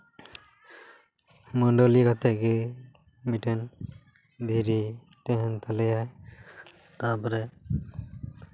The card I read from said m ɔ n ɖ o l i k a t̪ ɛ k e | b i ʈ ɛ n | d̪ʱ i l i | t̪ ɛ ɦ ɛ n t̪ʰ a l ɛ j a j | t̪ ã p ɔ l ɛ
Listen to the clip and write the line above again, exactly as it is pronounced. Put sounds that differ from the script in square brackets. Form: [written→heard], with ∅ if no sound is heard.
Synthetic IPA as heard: m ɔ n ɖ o l i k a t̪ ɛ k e | [b→m] i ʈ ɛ n | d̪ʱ i [l→ɾ] i | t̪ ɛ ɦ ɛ n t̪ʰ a l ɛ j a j | t̪ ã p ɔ [l→ɾ] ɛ